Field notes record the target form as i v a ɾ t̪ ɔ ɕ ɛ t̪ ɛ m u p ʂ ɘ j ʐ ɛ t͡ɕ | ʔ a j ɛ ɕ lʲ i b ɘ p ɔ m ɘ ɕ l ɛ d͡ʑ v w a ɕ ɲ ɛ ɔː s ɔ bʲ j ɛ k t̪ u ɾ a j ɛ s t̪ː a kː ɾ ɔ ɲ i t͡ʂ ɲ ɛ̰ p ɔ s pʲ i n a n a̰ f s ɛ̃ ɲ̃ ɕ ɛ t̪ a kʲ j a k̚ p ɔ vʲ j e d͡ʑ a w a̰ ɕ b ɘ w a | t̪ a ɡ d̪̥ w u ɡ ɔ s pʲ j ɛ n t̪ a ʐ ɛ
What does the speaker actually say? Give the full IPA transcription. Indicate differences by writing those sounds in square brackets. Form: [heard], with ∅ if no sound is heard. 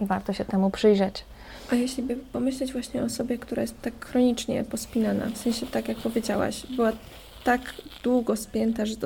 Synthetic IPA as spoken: i v a ɾ t̪ ɔ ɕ ɛ t̪ ɛ m u p ʂ ɘ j ʐ ɛ t͡ɕ | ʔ a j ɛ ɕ lʲ i b ɘ p ɔ m ɘ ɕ l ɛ d͡ʑ v w a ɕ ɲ ɛ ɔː s ɔ bʲ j ɛ k t̪ u ɾ a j ɛ s t̪ː a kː ɾ ɔ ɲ i t͡ʂ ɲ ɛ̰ p ɔ s pʲ i n a n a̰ f s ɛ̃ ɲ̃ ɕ ɛ t̪ a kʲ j a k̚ p ɔ vʲ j e d͡ʑ a w a̰ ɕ b ɘ w a | t̪ a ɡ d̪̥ w u ɡ ɔ s pʲ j ɛ n t̪ a ʐ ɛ